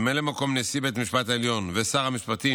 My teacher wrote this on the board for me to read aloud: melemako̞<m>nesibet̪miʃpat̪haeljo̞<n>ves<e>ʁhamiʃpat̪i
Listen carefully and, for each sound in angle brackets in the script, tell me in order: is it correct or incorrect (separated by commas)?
correct, correct, incorrect